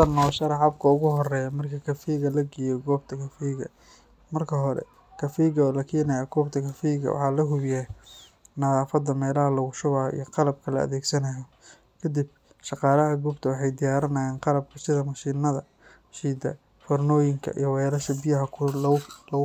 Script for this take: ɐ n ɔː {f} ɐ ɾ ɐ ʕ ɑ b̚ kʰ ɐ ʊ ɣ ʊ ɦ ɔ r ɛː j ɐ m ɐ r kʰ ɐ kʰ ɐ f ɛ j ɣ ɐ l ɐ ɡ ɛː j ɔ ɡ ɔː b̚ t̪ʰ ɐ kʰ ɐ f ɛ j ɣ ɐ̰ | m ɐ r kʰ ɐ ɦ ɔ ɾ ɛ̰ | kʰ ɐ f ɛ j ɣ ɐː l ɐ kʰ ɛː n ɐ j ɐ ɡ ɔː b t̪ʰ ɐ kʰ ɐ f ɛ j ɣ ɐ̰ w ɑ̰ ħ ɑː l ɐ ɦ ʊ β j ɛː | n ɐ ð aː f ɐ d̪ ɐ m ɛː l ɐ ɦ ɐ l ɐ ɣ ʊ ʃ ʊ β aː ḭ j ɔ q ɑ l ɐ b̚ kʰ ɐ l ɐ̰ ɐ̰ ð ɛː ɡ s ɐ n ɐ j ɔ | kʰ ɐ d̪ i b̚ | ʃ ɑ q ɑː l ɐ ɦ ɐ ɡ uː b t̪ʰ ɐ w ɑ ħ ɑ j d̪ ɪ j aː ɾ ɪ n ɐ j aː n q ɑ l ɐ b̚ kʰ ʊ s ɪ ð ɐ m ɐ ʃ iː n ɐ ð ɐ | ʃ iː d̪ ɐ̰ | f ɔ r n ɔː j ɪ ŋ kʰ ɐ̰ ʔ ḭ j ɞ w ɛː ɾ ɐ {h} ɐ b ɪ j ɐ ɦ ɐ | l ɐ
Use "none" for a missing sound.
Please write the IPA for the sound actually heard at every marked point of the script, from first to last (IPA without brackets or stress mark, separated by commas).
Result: ʃ, ʃ